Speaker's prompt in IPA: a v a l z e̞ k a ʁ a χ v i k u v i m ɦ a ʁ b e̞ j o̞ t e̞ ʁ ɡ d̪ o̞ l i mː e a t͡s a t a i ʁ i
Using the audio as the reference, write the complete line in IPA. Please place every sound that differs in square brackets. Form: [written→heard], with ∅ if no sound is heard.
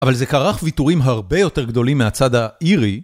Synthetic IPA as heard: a v a l z e̞ k a ʁ a χ v i [k→t] u [v→ʁ] i m ɦ a ʁ b e̞ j o̞ t e̞ ʁ ɡ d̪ o̞ l i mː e a t͡s a [t→d] a i ʁ i